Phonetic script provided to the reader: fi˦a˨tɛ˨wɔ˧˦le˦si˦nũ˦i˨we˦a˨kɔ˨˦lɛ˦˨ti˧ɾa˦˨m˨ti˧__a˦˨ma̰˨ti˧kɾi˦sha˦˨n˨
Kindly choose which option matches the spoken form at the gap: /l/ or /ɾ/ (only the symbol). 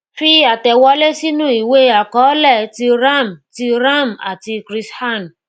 ɾ